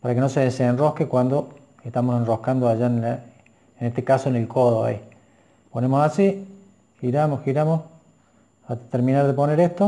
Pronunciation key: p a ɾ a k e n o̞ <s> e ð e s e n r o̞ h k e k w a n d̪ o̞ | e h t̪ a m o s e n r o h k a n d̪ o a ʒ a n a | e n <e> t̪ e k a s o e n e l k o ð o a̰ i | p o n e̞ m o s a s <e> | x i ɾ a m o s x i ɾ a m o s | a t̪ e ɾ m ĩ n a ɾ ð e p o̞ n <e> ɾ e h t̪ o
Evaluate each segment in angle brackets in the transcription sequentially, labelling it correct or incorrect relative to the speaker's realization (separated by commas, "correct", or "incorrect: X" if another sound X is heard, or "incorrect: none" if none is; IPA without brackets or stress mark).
correct, correct, incorrect: i, correct